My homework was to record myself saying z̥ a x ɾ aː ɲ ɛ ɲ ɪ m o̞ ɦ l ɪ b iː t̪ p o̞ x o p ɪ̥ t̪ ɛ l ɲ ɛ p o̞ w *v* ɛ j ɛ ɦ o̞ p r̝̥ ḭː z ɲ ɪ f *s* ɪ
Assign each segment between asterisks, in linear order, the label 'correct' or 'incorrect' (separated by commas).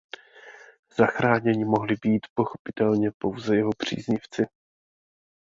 incorrect, incorrect